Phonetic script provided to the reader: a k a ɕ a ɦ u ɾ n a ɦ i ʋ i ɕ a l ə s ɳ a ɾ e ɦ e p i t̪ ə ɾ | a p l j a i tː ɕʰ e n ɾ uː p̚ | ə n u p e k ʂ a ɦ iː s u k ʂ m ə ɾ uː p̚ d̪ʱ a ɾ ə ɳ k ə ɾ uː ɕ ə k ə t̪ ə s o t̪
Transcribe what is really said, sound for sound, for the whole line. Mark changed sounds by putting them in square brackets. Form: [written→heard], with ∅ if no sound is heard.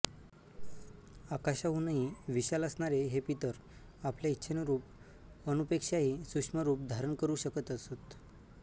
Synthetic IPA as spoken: a k a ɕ a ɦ u [ɾ→∅] n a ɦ i ʋ i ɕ a l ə s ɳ a ɾ e ɦ e p i t̪ ə ɾ | a p l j a i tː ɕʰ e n ɾ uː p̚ | ə n u p e k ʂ a ɦ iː s u k ʂ m ə ɾ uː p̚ d̪ʱ a ɾ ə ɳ k ə ɾ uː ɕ ə k ə t̪ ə s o t̪